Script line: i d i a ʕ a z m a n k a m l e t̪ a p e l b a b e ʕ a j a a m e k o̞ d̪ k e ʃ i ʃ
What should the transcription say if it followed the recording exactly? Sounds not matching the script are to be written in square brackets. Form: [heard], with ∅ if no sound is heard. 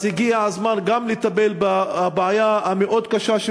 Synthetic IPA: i [ɡ] i a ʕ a z m a n [ɡ] a m l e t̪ a [b] e l b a b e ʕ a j a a m e [ʔ] o̞ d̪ k [a] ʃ [a] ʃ